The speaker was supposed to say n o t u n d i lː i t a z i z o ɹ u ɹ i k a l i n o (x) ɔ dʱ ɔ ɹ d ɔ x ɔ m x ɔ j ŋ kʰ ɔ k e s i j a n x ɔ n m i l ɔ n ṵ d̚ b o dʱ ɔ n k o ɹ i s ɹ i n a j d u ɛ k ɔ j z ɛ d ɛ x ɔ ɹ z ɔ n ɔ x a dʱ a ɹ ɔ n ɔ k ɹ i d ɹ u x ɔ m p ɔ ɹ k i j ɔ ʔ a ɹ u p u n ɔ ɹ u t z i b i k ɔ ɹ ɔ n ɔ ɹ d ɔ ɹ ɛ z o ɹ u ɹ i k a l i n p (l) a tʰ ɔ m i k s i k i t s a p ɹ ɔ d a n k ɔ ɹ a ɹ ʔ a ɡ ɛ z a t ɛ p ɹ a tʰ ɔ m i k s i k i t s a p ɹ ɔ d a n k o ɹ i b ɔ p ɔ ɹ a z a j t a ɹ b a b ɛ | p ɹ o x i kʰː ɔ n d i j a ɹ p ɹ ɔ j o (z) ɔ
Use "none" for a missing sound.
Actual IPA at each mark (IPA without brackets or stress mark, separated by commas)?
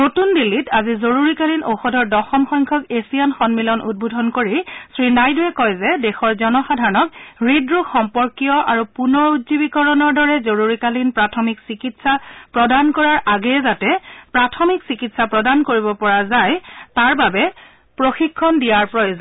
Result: x, ɹ, z